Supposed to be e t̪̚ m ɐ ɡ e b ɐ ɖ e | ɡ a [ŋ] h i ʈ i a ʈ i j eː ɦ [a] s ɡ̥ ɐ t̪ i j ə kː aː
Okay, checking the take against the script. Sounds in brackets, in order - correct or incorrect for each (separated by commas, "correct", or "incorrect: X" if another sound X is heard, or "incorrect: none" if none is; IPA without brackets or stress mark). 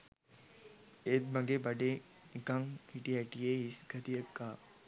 correct, incorrect: i